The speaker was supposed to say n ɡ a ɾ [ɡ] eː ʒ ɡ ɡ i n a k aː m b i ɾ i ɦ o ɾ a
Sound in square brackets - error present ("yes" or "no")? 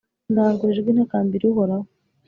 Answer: no